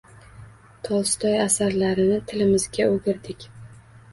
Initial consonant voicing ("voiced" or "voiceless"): voiceless